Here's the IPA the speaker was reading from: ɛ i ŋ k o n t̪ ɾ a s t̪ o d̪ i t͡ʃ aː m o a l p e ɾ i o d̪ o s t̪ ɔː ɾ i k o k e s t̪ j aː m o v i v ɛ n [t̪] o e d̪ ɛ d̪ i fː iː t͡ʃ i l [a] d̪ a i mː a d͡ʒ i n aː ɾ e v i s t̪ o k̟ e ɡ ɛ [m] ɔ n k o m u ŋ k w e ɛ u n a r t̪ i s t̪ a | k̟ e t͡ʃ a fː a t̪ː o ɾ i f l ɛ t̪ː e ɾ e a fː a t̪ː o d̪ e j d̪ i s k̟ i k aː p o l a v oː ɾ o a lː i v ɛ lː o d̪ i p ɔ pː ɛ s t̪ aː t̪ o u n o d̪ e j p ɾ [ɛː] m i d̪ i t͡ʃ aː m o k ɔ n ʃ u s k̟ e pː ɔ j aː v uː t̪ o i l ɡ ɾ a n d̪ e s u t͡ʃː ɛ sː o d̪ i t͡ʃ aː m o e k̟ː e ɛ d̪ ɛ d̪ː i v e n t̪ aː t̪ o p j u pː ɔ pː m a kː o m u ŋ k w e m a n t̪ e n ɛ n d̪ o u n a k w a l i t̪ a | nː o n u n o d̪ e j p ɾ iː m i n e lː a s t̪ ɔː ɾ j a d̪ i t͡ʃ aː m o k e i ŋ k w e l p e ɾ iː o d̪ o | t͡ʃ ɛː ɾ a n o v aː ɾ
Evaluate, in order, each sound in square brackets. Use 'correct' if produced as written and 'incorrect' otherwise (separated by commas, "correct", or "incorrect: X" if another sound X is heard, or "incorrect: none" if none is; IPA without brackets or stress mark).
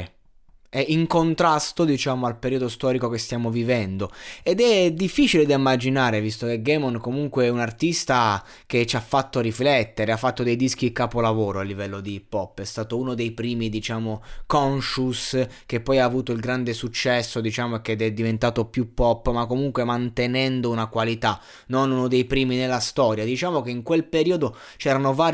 incorrect: d̪, incorrect: e, correct, incorrect: iː